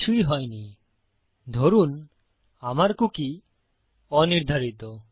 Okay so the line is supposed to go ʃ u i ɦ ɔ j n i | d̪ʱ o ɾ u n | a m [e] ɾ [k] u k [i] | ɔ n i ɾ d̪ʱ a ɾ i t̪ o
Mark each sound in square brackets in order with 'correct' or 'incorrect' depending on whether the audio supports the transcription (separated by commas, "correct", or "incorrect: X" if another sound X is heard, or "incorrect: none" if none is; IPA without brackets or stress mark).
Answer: incorrect: a, correct, correct